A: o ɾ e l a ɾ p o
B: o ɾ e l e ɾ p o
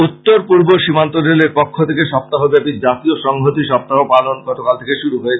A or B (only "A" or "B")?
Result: B